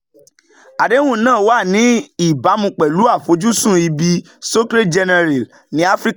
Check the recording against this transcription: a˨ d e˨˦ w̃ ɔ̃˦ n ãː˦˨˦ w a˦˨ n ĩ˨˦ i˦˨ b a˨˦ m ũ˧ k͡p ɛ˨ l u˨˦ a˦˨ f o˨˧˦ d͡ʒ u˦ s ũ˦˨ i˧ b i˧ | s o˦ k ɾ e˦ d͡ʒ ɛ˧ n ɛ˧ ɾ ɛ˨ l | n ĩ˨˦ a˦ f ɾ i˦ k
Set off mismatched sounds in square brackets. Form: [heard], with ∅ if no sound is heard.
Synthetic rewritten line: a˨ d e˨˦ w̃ [ũ˦] n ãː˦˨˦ w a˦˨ n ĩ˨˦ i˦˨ b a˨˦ m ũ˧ k͡p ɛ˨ l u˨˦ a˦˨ f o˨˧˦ d͡ʒ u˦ s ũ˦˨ i˧ b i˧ | s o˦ k ɾ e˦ d͡ʒ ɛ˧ n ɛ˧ ɾ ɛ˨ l | n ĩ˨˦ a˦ f ɾ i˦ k

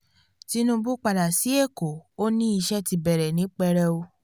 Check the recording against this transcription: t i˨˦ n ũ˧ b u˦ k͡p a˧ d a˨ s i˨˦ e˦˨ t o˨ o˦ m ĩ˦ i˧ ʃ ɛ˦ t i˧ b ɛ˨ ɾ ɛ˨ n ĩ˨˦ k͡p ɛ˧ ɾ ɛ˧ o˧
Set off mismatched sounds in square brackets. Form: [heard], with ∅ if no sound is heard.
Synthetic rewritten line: t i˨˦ n ũ˧ b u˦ k͡p a˧ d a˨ s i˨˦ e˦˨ [k] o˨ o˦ [n] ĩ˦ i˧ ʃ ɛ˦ t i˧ b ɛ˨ ɾ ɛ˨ n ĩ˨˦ k͡p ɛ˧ ɾ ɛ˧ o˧

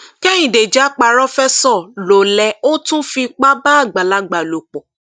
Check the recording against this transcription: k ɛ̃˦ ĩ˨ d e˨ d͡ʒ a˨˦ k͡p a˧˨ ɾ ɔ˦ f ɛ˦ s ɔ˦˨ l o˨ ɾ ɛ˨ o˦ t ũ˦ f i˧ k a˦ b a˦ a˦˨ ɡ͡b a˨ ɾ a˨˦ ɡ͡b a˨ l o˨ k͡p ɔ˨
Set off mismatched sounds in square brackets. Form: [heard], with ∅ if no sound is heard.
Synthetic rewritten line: k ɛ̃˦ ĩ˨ d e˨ d͡ʒ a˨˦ k͡p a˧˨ ɾ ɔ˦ f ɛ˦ s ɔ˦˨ l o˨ [l] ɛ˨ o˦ t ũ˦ f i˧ [k͡p] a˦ b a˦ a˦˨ ɡ͡b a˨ [l] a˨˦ ɡ͡b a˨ l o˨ k͡p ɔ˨

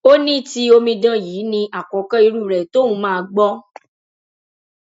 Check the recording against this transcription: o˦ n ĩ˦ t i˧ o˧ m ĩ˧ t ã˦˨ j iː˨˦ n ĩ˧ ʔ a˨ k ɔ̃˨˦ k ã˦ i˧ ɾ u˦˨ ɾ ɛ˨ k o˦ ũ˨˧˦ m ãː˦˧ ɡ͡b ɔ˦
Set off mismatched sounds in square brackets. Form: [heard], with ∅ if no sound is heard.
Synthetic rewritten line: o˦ n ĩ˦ t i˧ o˧ m ĩ˧ [d] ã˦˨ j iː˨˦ n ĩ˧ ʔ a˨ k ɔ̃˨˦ k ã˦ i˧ ɾ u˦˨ ɾ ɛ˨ [t] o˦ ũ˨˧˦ m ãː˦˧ ɡ͡b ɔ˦

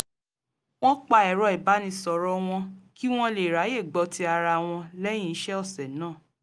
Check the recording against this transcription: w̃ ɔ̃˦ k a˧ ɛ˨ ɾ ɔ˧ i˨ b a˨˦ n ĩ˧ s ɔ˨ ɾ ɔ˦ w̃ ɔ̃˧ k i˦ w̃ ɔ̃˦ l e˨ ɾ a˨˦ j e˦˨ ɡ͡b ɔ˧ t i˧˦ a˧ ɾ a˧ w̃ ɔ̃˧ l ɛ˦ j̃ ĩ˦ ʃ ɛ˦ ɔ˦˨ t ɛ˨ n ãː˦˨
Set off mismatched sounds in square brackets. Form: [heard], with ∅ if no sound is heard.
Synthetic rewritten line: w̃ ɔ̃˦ [k͡p] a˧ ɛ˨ ɾ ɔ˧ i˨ b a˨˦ n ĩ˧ s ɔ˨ ɾ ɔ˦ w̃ ɔ̃˧ k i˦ w̃ ɔ̃˦ l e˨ ɾ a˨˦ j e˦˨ ɡ͡b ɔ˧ t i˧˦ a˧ ɾ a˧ w̃ ɔ̃˧ l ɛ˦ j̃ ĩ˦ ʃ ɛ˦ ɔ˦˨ [s] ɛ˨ n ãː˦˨

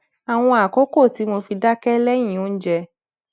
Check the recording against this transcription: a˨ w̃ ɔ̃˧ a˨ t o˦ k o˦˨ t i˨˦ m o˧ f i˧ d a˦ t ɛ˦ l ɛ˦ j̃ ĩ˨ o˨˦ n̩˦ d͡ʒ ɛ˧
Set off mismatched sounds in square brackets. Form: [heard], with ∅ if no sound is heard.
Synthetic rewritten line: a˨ w̃ ɔ̃˧ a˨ [k] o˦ k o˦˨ t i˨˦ m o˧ f i˧ d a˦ [k] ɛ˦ l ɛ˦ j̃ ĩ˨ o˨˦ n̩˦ d͡ʒ ɛ˧

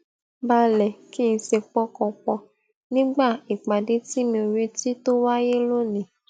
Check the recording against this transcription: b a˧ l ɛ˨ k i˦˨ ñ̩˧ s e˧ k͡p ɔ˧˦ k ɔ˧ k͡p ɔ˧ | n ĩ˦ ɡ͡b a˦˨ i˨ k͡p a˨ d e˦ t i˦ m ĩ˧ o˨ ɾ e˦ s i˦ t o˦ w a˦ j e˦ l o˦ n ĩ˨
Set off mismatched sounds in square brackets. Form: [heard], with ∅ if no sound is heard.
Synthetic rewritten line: b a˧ l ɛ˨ k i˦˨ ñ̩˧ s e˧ k͡p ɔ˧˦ k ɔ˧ k͡p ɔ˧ | n ĩ˦ ɡ͡b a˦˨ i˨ k͡p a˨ d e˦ t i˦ m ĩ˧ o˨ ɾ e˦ [t] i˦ t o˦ w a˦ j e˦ l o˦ n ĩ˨

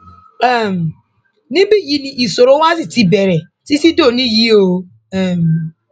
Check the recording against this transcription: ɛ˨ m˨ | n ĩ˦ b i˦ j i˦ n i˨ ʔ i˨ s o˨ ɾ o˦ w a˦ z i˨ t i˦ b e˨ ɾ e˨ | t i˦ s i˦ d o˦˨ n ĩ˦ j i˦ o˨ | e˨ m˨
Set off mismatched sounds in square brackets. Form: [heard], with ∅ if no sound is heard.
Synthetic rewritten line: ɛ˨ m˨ | n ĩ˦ b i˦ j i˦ n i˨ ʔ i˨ s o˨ ɾ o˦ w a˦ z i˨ t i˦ b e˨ ɾ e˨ | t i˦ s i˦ d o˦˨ n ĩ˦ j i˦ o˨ | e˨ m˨

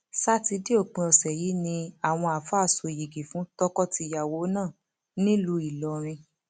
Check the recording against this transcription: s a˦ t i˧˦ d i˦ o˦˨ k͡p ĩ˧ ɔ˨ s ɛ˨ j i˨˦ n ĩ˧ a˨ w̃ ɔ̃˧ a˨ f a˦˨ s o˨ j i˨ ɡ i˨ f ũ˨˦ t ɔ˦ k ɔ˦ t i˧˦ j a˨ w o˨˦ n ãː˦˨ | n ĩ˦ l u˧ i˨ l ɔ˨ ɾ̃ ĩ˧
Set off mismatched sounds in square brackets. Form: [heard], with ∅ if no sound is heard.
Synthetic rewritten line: s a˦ t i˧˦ d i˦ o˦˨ k͡p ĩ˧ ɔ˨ s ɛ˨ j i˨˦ n ĩ˧ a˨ w̃ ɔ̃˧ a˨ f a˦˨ s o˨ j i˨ ɡ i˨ f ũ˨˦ t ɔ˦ k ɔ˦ t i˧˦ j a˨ w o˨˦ n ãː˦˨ | n ĩ˦ l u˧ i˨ l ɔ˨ ɾ̃ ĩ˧

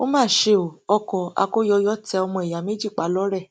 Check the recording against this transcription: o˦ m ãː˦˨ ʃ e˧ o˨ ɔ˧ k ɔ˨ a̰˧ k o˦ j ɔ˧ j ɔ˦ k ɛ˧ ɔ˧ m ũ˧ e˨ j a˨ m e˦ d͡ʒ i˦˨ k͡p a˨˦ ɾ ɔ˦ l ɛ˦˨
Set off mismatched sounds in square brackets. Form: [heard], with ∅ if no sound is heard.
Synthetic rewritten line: o˦ m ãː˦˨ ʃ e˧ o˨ ɔ˧ k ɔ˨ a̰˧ k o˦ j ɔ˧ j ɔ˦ [t] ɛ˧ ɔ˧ m [ɔ̃˧] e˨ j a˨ m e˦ d͡ʒ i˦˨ k͡p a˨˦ [l] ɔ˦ [ɾ] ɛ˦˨

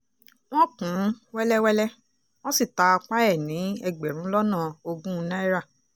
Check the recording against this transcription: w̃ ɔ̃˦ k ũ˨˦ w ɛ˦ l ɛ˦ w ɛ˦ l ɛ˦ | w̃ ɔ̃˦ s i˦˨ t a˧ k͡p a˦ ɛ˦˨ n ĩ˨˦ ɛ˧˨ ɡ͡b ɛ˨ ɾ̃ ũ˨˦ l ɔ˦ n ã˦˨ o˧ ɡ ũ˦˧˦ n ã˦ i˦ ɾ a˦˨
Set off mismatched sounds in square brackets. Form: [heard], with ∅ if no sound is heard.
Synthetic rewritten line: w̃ ɔ̃˦ k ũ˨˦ w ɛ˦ l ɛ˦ w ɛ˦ l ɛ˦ | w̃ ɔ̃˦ s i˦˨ t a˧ k͡p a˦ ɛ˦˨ n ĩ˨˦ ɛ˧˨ ɡ͡b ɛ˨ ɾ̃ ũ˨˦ l ɔ˦ n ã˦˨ o˧ ɡ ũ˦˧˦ n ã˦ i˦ ɾ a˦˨

